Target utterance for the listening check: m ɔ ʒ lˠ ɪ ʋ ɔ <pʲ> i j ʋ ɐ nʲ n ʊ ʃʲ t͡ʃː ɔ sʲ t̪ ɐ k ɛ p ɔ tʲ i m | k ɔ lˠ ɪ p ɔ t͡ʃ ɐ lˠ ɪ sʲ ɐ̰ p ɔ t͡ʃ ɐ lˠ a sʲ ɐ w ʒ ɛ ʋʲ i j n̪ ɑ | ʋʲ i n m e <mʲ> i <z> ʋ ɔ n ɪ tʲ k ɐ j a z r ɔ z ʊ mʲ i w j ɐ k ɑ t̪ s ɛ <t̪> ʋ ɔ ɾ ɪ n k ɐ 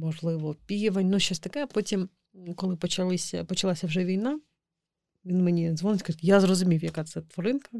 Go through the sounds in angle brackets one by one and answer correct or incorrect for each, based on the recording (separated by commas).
correct, incorrect, correct, correct